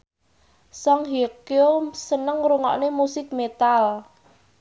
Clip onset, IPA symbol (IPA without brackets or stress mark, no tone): s